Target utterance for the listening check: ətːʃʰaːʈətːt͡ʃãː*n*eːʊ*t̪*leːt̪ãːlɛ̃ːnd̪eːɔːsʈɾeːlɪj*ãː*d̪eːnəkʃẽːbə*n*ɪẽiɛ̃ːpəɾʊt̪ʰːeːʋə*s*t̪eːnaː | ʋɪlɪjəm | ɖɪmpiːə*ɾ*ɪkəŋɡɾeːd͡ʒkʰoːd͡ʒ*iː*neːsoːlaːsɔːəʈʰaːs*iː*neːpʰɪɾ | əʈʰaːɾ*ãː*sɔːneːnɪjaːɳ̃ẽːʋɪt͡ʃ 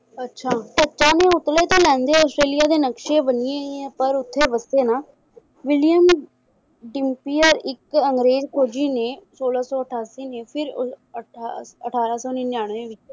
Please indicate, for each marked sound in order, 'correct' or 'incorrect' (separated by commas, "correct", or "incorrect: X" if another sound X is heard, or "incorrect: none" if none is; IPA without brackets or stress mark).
correct, correct, incorrect: aː, correct, correct, correct, correct, correct, incorrect: aː